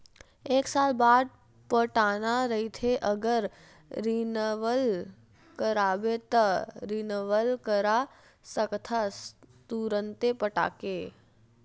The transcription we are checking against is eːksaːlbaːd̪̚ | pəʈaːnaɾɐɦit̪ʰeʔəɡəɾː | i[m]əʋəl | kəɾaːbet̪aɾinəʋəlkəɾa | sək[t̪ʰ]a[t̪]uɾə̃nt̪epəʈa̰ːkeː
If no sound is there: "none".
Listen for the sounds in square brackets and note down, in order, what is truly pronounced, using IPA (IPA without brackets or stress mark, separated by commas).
n, t̪ʰ, t̪